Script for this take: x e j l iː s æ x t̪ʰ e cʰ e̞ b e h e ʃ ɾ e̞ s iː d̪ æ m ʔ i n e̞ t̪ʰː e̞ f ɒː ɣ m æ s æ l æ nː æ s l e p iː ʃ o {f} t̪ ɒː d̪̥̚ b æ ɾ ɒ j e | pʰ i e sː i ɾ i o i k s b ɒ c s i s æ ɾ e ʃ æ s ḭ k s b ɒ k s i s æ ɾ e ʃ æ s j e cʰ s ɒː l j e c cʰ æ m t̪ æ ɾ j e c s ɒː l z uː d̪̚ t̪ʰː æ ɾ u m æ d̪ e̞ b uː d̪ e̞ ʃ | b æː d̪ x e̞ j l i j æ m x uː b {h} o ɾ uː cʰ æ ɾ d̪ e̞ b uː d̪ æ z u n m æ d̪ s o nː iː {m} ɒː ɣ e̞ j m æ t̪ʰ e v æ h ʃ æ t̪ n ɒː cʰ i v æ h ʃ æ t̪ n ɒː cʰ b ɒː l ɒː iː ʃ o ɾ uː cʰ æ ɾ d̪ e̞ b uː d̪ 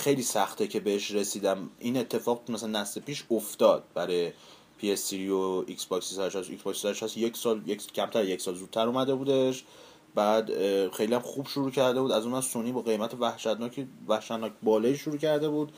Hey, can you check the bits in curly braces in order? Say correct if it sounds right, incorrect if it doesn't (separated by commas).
correct, incorrect, incorrect